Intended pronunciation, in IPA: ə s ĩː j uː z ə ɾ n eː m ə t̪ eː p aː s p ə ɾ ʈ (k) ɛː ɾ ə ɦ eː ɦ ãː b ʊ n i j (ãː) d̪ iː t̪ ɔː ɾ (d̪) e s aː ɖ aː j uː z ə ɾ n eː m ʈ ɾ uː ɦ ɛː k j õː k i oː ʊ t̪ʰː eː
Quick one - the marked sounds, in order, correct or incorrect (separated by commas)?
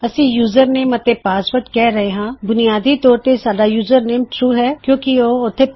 correct, incorrect, incorrect